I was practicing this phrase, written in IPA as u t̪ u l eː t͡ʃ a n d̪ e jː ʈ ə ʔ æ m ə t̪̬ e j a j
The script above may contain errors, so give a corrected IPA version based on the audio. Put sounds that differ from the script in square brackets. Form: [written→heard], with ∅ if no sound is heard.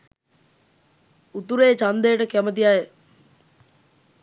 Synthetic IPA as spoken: u t̪ u [l→ɾ] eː t͡ʃ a n d̪ e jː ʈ ə [ʔ→k] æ m ə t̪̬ [e→i] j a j